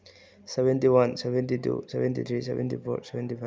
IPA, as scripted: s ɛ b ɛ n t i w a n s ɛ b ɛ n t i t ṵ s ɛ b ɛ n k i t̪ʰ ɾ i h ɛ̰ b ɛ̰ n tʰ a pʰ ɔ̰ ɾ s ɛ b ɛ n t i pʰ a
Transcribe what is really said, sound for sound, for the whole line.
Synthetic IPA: s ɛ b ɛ n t i w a n s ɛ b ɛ n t i t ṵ s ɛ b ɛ n t i t̪ʰ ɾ i s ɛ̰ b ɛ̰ n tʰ i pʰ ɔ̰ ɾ s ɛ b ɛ n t i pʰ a

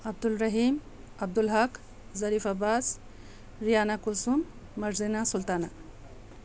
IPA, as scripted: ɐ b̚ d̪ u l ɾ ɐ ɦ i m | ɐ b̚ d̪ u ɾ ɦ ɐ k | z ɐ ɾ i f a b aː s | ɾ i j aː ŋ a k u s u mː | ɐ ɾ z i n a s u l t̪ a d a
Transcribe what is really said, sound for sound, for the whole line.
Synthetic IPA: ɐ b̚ d̪ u l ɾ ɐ ɦ i m | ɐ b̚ d̪ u l ɦ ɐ k | z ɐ ɾ i f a b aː s | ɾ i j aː n a k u s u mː | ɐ ɾ z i n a s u l t̪ a n a

